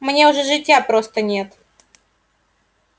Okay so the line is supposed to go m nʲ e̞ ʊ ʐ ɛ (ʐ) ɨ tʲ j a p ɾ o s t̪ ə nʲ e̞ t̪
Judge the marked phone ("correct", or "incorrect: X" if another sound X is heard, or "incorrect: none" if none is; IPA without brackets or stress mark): correct